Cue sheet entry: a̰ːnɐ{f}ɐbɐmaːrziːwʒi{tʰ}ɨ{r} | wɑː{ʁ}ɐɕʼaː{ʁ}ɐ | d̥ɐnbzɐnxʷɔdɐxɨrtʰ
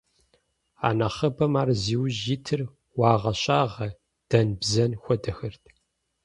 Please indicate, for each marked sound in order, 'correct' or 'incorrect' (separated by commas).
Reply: incorrect, correct, correct, correct, correct